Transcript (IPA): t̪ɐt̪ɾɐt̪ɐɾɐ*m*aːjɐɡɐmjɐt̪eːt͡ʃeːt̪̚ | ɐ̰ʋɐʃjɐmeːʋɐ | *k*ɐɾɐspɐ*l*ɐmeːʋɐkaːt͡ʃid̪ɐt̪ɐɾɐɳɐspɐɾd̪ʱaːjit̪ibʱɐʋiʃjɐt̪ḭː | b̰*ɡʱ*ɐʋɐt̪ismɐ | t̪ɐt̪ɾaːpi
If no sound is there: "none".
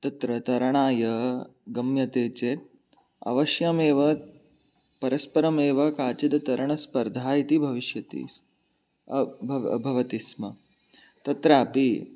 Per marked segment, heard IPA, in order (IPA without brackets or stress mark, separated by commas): ɳ, p, ɾ, bʱ